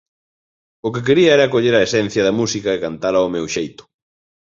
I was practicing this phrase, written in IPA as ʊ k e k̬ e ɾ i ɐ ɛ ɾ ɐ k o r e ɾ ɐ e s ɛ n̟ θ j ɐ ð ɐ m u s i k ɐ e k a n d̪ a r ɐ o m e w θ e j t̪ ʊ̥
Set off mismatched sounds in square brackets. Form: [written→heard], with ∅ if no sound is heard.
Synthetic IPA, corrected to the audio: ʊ k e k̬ e ɾ i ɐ ɛ ɾ ɐ k o [r→ʎ] e ɾ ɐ e s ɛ n̟ θ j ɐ ð ɐ m u s i k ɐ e k a n [d̪→t̪] a [r→l] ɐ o m e w [θ→ʃ] e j t̪ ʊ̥